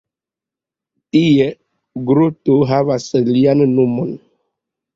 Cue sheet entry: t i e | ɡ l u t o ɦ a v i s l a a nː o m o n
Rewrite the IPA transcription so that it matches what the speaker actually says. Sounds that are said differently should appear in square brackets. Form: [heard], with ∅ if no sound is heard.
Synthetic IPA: t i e | ɡ [ɾ] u t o ɦ a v [a] s l [i] a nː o m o n